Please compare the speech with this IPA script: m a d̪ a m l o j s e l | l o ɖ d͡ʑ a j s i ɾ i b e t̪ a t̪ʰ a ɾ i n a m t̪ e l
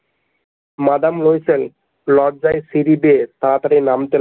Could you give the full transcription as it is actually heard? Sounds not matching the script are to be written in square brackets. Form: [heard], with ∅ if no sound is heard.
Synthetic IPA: m a d̪ a m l o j s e l | l [ɔ] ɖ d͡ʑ a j s i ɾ i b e t̪ a [t̪] a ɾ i n a m t̪ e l